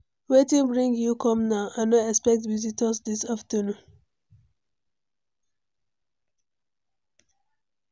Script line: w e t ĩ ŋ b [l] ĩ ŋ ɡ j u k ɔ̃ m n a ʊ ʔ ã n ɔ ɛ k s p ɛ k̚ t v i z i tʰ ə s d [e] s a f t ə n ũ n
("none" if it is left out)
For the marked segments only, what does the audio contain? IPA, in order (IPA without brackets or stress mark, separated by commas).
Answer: ɹ, i